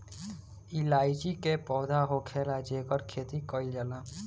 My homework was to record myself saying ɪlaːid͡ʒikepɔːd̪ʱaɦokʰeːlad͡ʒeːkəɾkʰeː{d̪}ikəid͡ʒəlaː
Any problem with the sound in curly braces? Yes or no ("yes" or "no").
yes